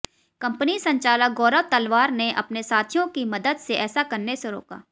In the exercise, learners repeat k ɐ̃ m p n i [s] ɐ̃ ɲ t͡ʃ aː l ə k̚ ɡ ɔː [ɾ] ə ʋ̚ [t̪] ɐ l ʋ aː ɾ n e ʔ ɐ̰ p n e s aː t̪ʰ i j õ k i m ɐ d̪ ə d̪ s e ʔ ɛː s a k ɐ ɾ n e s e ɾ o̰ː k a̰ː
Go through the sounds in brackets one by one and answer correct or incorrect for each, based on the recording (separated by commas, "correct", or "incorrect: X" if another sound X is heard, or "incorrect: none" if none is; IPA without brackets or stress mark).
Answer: correct, correct, correct